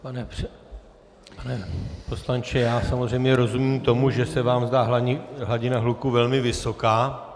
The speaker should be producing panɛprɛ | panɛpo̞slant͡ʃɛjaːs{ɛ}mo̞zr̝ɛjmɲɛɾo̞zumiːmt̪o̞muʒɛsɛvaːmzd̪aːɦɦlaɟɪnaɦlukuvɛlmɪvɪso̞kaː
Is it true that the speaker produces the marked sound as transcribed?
no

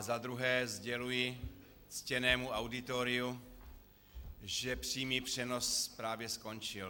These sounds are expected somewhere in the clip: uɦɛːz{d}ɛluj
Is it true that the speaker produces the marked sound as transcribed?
no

